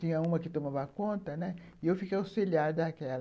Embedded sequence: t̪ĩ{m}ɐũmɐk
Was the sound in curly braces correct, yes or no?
no